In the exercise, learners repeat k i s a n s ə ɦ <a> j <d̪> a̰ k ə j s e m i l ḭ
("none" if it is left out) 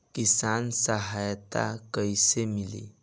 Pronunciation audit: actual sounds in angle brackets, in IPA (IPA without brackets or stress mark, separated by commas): a, t̪